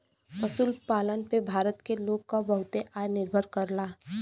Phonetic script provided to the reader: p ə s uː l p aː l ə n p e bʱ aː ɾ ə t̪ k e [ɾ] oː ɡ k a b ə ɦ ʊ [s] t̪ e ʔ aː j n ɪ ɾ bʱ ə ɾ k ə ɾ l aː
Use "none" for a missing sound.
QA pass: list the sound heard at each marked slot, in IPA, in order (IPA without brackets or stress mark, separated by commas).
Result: l, none